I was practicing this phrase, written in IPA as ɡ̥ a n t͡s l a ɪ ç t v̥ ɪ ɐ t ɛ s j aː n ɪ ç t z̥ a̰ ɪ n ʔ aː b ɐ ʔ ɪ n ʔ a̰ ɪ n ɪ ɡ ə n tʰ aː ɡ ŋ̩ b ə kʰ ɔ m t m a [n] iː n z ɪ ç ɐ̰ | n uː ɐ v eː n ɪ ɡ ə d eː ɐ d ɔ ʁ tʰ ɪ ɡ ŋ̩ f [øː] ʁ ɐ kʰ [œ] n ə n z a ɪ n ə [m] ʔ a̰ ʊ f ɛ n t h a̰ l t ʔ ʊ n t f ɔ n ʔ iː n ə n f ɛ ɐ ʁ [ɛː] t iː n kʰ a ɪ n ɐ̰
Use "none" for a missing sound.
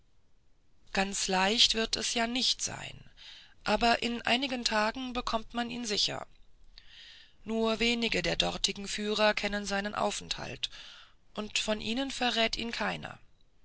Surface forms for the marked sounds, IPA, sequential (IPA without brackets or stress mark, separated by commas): n, yː, ɛ, n, ɛː